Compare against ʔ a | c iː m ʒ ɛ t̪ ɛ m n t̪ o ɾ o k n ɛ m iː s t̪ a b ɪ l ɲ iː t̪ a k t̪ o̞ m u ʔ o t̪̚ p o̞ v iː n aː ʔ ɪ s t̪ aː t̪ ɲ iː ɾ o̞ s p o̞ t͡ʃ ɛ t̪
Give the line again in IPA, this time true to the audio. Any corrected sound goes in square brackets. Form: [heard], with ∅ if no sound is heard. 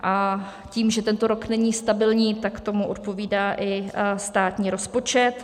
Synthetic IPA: ʔ a | c iː m ʒ ɛ t̪ ɛ [∅] n t̪ o ɾ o k n ɛ [ɲ] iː s t̪ a b ɪ l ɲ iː t̪ a k t̪ o̞ m u ʔ o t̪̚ p o̞ v iː [d] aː ʔ ɪ s t̪ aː t̪ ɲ iː ɾ o̞ s p o̞ t͡ʃ ɛ t̪